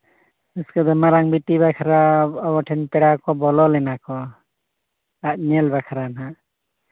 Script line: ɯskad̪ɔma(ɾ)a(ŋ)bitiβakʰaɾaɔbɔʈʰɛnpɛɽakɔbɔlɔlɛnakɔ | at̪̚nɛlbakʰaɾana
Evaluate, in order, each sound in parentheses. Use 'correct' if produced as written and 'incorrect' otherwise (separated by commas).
correct, correct